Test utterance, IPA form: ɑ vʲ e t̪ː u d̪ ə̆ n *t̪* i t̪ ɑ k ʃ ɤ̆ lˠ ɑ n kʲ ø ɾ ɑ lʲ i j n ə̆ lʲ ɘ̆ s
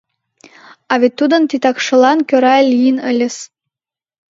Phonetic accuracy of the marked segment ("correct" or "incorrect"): correct